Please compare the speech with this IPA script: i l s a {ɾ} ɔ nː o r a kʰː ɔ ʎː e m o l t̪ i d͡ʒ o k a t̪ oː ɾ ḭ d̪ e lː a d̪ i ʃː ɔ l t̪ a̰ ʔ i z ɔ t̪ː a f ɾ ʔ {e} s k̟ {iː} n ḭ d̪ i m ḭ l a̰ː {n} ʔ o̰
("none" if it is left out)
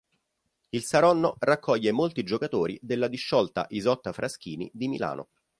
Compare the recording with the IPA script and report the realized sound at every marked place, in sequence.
ɾ, a, iː, n

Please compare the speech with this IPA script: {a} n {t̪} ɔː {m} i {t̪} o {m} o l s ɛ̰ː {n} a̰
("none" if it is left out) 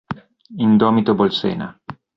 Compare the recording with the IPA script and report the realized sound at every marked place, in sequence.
i, d̪, m, t̪, b, n

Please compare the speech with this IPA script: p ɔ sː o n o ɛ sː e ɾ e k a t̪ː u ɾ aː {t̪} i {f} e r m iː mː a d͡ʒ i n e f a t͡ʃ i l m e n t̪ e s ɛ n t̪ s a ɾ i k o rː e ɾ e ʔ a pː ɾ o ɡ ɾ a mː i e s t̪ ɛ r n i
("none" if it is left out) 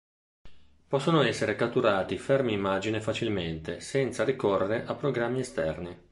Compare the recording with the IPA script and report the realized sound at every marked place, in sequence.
t̪, f

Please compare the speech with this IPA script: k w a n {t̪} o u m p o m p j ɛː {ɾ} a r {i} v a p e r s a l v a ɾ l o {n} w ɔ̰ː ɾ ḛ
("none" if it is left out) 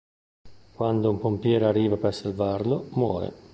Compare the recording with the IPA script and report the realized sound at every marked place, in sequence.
d̪, ɾ, iː, m

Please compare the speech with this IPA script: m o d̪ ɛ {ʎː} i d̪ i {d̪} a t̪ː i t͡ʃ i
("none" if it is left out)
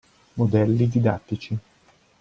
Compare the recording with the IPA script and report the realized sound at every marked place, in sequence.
lː, d̪

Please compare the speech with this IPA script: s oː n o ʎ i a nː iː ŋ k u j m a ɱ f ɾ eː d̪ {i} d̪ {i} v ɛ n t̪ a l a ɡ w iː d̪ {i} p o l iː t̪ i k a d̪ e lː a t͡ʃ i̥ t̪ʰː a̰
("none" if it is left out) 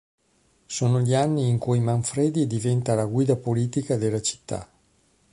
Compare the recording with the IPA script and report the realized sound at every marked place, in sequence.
i, i, a

